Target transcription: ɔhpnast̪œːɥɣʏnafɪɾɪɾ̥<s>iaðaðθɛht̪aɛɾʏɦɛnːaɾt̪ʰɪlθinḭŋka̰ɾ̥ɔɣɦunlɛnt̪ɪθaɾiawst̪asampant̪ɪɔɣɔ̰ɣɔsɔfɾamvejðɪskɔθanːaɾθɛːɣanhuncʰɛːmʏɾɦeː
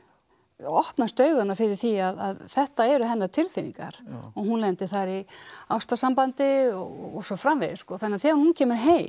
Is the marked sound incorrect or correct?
incorrect